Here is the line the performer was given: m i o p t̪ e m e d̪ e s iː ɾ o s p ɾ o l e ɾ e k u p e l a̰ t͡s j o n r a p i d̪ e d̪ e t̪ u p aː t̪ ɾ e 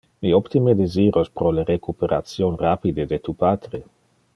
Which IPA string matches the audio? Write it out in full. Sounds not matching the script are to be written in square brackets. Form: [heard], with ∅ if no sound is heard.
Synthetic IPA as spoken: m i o p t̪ [i] m e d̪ e [z] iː ɾ o s p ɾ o l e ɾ e k u p e [ɾ] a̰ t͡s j o n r a p i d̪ e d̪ e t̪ u p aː t̪ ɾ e